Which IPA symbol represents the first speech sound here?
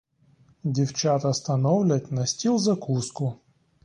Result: dʲ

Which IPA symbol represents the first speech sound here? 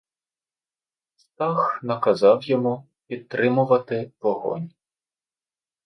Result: s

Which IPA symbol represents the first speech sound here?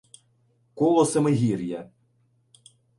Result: k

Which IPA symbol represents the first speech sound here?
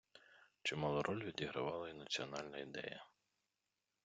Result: t͡ʃ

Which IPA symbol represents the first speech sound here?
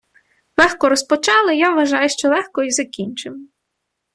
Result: lˠ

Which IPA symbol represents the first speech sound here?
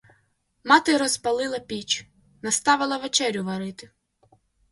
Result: m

